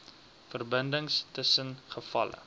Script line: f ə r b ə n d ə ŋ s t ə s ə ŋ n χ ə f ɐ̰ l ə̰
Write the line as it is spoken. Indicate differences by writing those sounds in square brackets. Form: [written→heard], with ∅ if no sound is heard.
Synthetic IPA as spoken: f ə r b ə n d ə ŋ s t ə s ə [ŋ→∅] n χ ə f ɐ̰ l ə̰